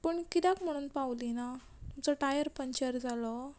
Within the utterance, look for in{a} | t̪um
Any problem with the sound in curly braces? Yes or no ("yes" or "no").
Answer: no